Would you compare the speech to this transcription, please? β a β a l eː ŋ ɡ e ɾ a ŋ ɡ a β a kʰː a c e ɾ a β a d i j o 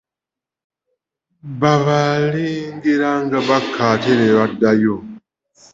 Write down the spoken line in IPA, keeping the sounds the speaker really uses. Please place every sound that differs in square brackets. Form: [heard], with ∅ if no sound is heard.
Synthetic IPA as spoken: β a β a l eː ŋ ɡ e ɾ a ŋ ɡ a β a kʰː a [t] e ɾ [e] β a d [a] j o

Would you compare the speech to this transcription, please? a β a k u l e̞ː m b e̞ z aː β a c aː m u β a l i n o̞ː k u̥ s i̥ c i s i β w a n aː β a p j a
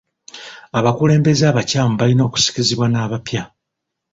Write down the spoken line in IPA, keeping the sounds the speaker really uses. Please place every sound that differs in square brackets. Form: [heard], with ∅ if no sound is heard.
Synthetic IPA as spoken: a β a k u l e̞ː m b e̞ z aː β a c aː m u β a l i n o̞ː k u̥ s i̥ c i [z] i β w a n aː β a p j a

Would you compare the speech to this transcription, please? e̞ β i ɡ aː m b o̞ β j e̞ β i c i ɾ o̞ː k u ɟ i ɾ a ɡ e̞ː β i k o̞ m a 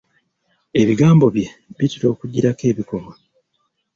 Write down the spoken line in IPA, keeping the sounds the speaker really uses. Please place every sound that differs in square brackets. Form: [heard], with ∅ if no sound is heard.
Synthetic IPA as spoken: e̞ β i ɡ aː m b o̞ β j e̞ β i [t] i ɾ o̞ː k u ɟ i ɾ a [k] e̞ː β i k o̞ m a

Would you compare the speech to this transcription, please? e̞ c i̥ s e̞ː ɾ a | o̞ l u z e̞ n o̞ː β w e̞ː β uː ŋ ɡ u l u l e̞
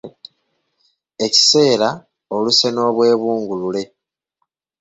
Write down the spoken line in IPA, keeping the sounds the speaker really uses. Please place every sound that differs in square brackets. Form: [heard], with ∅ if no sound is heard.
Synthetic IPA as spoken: e̞ c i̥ s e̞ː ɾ a | o̞ l u [s] e̞ n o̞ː β w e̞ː β uː ŋ ɡ u l u l e̞

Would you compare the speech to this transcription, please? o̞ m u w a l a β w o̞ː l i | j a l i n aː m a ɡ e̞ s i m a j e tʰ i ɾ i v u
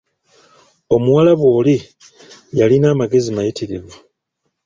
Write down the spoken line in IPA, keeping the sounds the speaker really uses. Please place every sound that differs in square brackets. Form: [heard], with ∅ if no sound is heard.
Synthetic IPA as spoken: o̞ m u w a l a β w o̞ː l i | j a l i n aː m a ɡ e̞ [z] i m a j [i] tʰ i ɾ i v u

